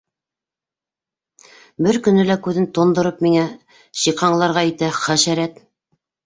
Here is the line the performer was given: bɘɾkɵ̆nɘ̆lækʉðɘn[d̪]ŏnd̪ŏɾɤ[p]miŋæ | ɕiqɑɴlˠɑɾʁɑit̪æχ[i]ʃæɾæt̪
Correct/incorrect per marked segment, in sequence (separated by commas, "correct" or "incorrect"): incorrect, correct, incorrect